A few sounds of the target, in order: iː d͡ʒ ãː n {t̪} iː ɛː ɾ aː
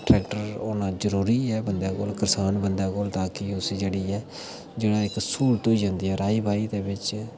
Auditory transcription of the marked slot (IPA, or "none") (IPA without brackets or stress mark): d̪